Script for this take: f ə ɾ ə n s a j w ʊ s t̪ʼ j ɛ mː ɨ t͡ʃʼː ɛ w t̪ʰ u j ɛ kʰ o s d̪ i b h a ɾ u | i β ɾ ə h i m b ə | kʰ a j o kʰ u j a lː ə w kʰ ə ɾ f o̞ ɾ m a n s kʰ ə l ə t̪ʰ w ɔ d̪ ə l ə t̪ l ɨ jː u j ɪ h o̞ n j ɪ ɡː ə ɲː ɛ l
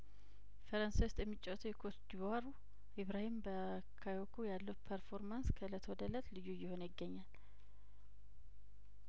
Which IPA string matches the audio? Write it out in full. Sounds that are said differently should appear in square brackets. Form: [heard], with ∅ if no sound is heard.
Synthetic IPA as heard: f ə ɾ ə n s a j w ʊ s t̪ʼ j ɛ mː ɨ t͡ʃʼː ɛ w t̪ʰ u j ɛ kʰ o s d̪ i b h a ɾ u | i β ɾ [a] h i m b ə | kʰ a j o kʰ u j a lː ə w [pʰ] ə ɾ f o̞ ɾ m a n s kʰ ə l ə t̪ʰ w ɔ d̪ ə l ə t̪ l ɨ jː u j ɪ h o̞ n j ɪ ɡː ə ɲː [a] l